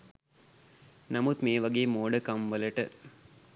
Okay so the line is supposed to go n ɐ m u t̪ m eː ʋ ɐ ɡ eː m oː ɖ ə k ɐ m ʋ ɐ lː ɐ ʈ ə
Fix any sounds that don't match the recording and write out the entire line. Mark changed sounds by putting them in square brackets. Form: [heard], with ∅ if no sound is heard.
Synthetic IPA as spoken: n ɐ m u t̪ m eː ʋ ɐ ɡ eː m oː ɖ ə k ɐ m ʋ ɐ [l] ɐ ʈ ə